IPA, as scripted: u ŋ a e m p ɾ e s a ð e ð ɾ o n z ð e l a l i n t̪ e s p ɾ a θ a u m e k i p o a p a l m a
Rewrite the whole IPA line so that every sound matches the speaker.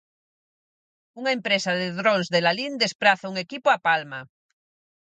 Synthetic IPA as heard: u ŋ a e m p ɾ e s a ð e ð ɾ o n z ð e l a l i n d̪ e s p ɾ a θ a u ŋ e k i p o a p a l m a